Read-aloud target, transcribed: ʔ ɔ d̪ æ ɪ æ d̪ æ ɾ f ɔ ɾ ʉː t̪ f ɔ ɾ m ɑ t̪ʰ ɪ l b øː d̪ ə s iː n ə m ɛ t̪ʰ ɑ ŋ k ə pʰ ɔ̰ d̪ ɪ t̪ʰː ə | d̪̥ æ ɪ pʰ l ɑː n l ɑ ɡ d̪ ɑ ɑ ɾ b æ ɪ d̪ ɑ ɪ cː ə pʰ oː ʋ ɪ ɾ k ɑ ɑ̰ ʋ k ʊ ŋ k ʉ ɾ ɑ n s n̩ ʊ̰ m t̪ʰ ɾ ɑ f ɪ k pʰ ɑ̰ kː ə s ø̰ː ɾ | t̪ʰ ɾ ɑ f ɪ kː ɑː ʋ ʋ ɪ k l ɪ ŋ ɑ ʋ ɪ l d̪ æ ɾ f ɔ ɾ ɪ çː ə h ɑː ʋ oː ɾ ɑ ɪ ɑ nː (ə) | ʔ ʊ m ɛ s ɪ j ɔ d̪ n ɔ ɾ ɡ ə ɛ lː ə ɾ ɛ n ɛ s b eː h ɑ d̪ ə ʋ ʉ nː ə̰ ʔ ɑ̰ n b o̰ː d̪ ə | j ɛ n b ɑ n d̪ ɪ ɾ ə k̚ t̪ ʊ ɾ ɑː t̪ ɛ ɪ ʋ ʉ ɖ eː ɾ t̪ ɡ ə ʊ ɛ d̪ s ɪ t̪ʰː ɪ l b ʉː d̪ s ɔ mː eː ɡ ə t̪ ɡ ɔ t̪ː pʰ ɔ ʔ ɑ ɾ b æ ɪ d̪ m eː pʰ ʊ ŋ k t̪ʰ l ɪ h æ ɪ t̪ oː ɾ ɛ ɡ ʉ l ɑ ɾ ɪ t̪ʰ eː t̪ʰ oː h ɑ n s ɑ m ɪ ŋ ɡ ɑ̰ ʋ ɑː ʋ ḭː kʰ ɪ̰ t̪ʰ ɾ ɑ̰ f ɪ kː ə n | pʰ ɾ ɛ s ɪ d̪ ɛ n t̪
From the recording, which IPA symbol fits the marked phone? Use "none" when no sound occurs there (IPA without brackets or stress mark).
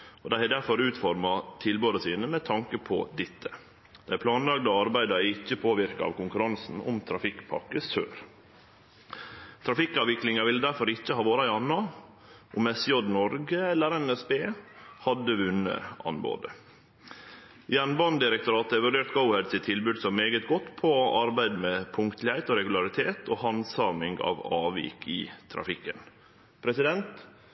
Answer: ɑ